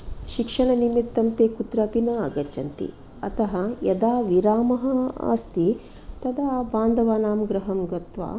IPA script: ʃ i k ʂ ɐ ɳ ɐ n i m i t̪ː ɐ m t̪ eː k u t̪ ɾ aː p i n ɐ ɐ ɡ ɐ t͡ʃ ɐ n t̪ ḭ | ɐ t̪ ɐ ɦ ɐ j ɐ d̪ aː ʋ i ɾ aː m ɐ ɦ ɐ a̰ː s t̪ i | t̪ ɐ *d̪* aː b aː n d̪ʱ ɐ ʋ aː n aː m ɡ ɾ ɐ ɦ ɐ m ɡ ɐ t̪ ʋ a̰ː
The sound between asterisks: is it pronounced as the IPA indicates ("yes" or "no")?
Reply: yes